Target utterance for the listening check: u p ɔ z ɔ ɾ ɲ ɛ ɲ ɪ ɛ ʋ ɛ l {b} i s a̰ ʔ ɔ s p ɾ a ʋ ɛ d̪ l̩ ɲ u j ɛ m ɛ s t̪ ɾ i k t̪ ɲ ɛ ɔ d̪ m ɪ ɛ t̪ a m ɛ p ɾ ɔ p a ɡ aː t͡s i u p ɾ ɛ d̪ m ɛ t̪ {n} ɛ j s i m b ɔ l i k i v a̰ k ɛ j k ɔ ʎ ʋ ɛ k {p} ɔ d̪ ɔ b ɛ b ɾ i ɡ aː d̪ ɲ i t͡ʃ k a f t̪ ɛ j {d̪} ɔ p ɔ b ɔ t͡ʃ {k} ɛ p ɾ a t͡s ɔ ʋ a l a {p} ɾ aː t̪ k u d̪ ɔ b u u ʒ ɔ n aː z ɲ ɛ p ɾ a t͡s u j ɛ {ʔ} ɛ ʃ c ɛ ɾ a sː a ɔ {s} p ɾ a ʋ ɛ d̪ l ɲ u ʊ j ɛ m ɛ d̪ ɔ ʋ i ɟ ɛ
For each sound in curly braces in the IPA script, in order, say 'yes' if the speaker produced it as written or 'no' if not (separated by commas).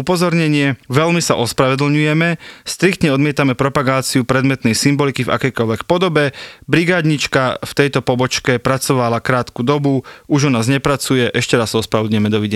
no, yes, yes, no, yes, no, yes, yes